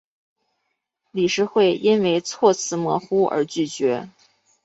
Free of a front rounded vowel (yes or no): no